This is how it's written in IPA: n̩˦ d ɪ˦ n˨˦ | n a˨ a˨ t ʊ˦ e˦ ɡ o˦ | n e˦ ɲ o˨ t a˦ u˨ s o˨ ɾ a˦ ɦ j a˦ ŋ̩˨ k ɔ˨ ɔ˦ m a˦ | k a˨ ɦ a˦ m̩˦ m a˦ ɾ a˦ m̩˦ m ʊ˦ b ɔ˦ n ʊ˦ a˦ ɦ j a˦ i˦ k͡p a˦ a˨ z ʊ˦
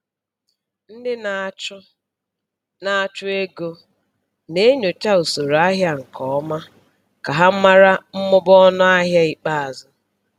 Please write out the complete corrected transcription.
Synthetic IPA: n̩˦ d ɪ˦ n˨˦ | n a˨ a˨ t͡ʃ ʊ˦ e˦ ɡ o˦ | n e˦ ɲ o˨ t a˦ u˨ s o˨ ɾ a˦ ɦ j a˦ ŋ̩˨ k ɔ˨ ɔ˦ m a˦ | k a˨ ɦ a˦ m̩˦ m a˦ ɾ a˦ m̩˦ m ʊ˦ b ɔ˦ n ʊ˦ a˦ ɦ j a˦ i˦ k͡p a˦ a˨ z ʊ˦